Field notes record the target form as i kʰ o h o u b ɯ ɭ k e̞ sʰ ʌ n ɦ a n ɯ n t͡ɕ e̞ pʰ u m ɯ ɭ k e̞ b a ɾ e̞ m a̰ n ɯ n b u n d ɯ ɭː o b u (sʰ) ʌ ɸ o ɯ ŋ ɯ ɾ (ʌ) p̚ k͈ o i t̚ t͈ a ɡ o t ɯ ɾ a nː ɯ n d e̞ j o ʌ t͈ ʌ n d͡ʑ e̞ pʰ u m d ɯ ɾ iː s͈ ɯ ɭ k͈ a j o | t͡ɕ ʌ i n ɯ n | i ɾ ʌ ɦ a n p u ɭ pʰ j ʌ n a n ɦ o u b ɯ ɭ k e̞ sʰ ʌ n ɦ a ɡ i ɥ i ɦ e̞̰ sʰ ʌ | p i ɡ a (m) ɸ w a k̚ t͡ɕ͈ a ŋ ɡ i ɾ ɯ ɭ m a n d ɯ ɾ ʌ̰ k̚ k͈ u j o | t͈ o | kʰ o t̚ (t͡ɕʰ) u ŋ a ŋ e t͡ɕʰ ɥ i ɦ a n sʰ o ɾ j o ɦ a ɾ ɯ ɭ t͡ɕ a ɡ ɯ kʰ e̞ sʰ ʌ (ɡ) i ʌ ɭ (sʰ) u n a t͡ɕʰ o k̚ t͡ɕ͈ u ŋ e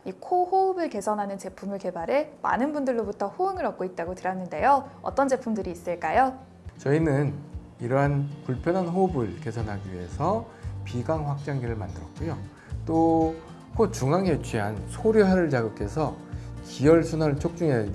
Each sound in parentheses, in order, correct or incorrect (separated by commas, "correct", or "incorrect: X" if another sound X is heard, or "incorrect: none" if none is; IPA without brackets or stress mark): incorrect: tʰ, correct, incorrect: ŋ, incorrect: t͡ɕ, incorrect: k, correct